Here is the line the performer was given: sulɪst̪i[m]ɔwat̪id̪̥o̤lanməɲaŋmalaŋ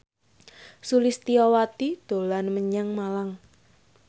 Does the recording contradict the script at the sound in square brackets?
yes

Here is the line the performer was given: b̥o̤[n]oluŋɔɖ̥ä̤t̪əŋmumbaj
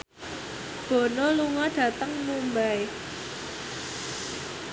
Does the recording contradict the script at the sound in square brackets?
no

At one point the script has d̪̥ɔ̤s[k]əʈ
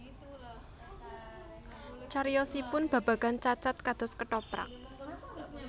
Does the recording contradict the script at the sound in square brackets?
no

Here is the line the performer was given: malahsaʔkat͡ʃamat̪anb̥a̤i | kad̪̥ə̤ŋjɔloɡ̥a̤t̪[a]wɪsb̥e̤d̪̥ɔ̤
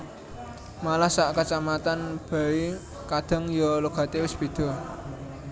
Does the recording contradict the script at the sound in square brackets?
yes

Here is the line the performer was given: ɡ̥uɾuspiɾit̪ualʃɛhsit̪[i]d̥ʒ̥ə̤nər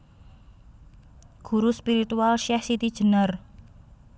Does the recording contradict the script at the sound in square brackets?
no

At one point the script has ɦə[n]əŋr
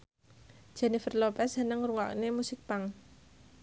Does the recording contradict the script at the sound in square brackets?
no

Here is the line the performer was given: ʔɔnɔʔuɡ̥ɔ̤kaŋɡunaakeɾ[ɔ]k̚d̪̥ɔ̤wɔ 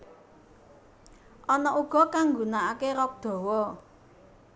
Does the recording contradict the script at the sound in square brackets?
no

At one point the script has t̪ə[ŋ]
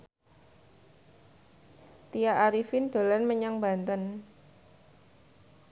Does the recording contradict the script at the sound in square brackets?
yes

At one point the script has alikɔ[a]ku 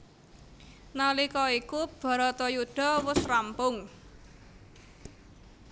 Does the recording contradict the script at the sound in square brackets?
yes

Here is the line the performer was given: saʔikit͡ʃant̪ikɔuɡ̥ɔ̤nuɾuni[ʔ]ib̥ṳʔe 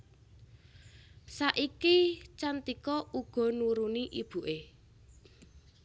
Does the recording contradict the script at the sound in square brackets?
no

